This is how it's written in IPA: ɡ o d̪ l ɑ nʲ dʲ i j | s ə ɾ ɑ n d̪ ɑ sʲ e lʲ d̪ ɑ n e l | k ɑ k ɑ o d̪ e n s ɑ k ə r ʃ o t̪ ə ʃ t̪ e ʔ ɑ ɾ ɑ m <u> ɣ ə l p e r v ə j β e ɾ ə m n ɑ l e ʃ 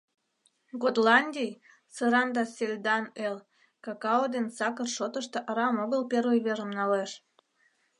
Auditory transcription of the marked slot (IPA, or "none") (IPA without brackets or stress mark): o